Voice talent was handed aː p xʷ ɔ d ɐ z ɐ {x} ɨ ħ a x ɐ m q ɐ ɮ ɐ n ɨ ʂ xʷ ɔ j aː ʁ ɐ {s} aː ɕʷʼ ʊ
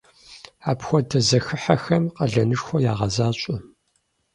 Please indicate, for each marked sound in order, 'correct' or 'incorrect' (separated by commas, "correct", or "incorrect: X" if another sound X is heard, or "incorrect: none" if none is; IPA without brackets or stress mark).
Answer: correct, incorrect: z